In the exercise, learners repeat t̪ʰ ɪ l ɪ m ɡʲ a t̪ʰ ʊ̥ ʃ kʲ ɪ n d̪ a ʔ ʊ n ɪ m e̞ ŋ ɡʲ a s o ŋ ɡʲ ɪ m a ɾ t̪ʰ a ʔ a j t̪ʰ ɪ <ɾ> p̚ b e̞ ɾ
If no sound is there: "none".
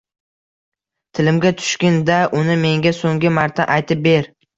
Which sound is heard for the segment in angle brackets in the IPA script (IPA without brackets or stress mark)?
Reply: none